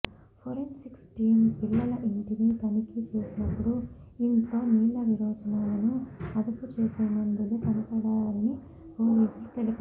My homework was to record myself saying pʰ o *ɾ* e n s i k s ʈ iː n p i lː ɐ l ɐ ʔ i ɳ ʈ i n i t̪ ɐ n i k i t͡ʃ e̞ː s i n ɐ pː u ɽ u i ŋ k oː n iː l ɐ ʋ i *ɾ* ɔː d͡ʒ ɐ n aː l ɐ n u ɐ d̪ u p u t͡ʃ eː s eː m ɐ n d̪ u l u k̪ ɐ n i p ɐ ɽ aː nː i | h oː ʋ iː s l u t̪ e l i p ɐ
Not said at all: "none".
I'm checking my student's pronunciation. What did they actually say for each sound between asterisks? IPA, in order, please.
ɾ, ɾ

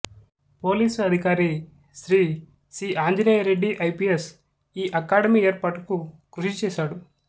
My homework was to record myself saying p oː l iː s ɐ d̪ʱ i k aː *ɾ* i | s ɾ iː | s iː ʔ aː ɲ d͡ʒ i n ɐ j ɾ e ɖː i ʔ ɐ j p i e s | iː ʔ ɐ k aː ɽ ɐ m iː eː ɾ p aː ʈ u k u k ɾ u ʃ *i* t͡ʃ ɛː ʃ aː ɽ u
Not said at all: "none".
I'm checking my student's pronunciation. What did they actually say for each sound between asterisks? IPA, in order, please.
ɾ, i

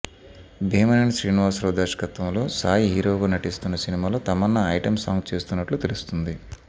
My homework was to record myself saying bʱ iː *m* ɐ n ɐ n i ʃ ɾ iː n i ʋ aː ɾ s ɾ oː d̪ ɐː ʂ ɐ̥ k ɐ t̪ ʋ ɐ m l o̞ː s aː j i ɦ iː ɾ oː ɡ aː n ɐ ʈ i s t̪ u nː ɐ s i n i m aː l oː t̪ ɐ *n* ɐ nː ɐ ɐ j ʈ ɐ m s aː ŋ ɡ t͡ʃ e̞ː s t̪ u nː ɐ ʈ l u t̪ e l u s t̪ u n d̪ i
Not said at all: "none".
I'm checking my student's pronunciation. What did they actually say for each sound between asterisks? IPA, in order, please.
m, m

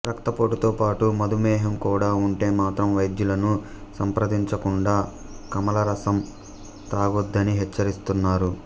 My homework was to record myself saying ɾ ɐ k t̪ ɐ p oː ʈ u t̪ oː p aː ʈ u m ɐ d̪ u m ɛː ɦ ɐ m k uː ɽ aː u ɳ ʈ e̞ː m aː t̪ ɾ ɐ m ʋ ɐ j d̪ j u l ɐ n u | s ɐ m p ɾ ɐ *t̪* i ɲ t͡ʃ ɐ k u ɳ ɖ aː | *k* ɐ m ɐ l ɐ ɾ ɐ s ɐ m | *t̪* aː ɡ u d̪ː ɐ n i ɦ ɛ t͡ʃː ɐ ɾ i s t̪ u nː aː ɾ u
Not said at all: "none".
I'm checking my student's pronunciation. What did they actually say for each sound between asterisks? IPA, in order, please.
d̪, k, t̪

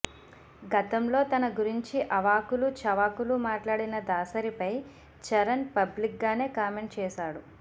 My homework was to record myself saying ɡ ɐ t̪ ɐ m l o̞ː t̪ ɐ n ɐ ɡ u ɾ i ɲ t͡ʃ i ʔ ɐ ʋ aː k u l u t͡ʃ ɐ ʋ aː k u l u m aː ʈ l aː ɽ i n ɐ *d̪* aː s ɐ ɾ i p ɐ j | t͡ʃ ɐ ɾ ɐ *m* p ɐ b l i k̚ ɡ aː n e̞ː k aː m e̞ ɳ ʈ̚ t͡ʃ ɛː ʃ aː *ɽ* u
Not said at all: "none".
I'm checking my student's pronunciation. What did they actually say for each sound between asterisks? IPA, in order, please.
d̪, n, ɽ

